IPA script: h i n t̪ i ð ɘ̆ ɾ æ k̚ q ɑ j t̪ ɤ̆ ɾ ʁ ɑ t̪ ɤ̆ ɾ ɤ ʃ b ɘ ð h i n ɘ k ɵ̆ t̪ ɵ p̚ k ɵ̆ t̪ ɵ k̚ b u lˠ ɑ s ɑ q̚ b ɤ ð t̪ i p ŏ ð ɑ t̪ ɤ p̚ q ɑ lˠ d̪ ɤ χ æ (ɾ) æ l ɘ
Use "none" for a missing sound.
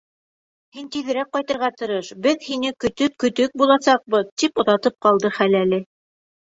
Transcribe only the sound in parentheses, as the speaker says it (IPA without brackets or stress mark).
l